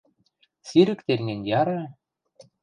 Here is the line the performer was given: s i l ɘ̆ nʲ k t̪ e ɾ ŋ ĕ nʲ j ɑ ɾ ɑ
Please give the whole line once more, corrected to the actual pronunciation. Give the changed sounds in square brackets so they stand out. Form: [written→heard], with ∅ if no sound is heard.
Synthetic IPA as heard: s i [l→ɾ] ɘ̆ [nʲ→∅] k t̪ e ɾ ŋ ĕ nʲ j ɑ ɾ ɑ